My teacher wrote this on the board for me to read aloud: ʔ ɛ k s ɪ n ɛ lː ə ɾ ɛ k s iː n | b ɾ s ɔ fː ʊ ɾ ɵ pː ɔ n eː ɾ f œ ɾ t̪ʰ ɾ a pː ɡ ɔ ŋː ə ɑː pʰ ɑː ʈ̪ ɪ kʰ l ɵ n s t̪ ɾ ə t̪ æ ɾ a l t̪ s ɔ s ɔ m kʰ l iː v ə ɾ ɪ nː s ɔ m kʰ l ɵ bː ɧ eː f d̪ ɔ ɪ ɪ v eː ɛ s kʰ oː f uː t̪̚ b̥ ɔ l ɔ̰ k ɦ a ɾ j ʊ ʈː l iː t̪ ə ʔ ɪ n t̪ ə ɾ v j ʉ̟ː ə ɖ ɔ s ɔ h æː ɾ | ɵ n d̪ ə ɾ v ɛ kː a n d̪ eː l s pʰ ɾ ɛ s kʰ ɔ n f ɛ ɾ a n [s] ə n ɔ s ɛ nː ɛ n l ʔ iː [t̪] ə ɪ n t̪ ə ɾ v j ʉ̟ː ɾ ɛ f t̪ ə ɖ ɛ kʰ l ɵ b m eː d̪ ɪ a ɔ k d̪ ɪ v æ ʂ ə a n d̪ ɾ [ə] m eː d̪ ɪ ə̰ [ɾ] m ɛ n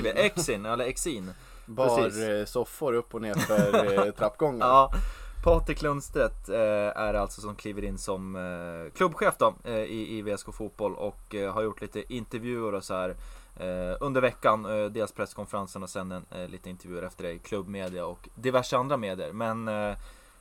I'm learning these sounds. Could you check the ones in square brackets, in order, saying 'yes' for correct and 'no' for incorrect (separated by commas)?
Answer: yes, yes, no, yes